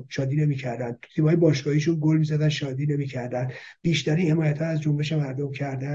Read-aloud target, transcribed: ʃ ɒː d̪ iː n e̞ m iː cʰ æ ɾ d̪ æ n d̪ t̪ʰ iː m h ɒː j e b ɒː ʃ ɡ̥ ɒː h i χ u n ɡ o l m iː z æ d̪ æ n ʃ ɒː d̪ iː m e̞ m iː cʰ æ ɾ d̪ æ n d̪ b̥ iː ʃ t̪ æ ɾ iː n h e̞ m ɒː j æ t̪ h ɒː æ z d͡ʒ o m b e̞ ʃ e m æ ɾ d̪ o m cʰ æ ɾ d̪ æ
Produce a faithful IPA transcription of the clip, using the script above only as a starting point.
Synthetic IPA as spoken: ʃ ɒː d̪ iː n e̞ m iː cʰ æ ɾ d̪ æ n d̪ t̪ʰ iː m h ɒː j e b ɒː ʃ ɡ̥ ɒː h i ʃ u n ɡ o l m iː z æ d̪ æ n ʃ ɒː d̪ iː n e̞ m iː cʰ æ ɾ d̪ æ n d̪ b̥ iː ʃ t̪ æ ɾ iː n h e̞ m ɒː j æ t̪ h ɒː æ z d͡ʒ o m b e̞ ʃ e m æ ɾ d̪ o m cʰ æ ɾ d̪ æ